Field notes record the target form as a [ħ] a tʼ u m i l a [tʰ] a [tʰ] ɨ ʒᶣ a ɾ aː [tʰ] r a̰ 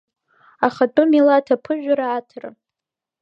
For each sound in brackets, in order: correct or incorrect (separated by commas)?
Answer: incorrect, correct, incorrect, correct